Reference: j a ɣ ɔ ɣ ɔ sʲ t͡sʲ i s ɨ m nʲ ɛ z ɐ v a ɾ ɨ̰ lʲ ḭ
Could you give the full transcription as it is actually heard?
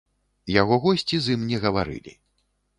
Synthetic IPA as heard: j a ɣ ɔ ɣ ɔ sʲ t͡sʲ i z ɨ m nʲ ɛ ɣ ɐ v a ɾ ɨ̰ lʲ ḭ